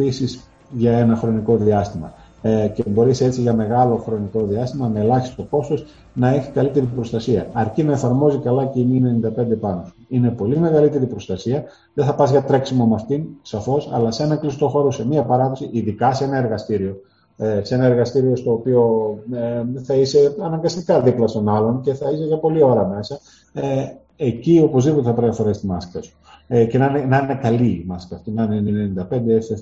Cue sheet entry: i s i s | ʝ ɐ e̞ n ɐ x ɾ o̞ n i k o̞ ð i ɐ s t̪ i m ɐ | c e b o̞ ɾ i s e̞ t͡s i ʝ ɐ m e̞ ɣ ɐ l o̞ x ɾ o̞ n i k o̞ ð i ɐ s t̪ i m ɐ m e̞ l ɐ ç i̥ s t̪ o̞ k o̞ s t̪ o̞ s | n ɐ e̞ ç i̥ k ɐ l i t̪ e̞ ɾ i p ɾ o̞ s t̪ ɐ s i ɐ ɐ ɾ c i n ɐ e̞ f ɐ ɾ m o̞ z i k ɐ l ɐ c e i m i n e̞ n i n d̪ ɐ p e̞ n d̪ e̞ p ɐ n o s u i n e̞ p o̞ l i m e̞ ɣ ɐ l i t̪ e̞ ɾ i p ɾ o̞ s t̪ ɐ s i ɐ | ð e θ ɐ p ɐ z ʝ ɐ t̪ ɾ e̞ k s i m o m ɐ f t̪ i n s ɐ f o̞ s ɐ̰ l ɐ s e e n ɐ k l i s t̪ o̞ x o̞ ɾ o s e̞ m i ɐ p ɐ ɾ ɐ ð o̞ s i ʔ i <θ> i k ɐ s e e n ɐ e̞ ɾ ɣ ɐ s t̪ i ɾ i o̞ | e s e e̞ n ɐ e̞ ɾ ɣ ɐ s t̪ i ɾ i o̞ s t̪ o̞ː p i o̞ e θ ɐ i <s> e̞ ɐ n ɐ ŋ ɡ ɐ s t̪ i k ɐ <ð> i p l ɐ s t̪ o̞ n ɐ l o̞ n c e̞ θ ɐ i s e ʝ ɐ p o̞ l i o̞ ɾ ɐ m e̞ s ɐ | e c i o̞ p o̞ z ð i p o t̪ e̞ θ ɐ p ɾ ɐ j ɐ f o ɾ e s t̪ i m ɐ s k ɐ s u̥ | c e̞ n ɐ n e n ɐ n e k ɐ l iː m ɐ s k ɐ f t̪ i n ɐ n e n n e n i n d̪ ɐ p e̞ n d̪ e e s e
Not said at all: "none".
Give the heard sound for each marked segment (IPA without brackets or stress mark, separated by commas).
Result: ð, s, ð